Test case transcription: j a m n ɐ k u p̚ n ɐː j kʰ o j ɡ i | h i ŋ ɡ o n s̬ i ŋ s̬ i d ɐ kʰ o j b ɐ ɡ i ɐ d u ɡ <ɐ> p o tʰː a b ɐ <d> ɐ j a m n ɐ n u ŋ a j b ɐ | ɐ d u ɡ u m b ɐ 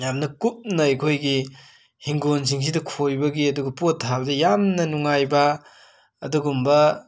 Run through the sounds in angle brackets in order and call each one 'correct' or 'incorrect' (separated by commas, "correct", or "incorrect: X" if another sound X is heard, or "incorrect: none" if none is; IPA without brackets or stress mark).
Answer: correct, correct